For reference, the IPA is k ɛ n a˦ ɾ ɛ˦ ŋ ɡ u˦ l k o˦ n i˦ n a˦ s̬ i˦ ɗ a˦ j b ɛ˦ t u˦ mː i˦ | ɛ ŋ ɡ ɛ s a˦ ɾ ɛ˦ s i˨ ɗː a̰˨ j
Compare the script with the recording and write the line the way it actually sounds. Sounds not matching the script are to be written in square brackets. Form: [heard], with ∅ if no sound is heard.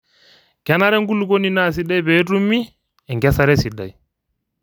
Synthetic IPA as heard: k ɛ n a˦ ɾ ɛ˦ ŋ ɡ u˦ l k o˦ n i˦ n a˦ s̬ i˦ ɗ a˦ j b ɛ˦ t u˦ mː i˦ | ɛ ŋ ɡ ɛ s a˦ ɾ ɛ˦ s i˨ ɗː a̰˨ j